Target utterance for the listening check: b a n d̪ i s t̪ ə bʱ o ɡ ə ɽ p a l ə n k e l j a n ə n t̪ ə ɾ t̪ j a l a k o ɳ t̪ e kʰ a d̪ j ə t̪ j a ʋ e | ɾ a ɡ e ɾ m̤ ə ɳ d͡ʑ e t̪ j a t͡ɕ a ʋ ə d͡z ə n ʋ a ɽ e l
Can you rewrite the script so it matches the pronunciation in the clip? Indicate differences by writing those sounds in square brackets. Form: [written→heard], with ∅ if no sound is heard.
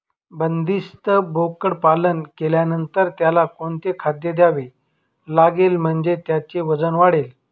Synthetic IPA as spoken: b [a→ə] n d̪ i s t̪ ə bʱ o [ɡ→k] ə ɽ p a l ə n k e l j a n ə n t̪ ə ɾ t̪ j a l a k o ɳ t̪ e kʰ a d̪ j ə [t̪→d̪] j a ʋ e | [ɾ→l] a ɡ e [ɾ→l] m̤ ə ɳ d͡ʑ e t̪ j a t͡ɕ [a→e] ʋ ə d͡z ə n ʋ a ɽ e l